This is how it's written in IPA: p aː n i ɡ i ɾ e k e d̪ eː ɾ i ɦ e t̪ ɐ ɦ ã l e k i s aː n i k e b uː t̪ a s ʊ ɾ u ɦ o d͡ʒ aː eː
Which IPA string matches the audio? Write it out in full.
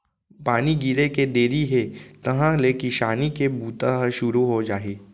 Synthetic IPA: p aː n i ɡ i ɾ e k e d̪ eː ɾ i ɦ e t̪ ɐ ɦ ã l e k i ʃ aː n i k e b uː t̪ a ʃ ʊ ɾ u ɦ o d͡ʒ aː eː